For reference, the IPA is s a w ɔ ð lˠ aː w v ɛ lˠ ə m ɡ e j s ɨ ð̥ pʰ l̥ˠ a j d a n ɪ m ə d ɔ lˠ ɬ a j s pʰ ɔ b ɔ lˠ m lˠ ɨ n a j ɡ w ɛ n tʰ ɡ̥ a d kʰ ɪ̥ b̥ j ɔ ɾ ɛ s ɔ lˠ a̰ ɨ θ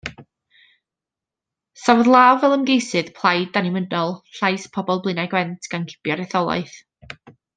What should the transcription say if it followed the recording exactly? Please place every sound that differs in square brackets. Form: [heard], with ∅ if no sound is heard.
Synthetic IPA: s a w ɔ ð lˠ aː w v ɛ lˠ ə m ɡ e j s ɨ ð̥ pʰ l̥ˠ a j d a n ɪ m ə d ɔ lˠ ɬ a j s pʰ ɔ b ɔ lˠ [b] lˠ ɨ n a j ɡ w ɛ n tʰ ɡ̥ a [n] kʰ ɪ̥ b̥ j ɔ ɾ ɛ [θ] ɔ lˠ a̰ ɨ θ